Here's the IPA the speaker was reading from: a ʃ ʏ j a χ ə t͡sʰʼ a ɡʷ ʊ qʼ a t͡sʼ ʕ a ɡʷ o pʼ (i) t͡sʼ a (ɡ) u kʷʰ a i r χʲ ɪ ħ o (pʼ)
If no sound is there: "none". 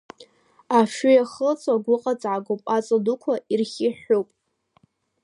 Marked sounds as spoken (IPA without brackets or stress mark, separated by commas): a, d, pʼ